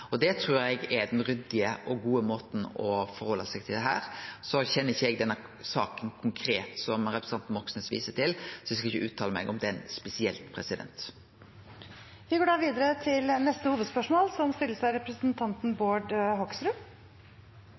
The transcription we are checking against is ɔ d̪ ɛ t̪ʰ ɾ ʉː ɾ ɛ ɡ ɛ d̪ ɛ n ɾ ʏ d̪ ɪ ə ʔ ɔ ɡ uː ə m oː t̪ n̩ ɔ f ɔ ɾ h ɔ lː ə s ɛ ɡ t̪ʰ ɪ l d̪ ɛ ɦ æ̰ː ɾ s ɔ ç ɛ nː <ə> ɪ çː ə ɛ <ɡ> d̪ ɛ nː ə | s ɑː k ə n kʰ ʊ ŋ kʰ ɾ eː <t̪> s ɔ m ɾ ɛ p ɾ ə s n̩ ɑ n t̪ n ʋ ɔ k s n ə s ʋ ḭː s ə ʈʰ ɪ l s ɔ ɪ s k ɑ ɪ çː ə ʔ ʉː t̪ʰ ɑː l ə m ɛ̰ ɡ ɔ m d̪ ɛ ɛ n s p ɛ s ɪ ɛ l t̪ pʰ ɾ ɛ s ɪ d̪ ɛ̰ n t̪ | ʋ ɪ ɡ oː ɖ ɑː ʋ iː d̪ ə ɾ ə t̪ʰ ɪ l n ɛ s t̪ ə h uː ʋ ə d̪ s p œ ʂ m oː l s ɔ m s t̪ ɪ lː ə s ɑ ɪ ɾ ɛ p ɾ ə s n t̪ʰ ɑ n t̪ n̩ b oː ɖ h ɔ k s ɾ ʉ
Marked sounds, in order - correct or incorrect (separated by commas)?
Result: correct, correct, correct